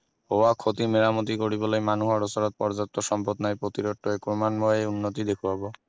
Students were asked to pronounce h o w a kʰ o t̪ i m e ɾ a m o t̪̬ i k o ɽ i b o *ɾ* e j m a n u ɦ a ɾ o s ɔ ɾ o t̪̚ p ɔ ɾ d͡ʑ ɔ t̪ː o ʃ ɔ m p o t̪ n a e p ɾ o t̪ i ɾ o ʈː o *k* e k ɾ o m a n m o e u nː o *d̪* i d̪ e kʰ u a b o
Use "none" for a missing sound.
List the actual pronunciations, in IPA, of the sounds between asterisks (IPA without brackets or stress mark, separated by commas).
l, none, t̪